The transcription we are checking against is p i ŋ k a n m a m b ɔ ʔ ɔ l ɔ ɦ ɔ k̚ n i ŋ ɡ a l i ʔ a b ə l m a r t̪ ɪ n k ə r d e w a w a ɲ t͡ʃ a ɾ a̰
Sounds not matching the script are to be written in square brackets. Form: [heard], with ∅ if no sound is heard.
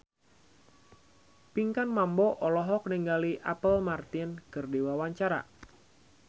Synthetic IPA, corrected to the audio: p i ŋ k a n m a m b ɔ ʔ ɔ l ɔ ɦ ɔ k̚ n i ŋ ɡ a l i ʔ a [p] ə l m a r t̪ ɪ n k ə r d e w a w a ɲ t͡ʃ a ɾ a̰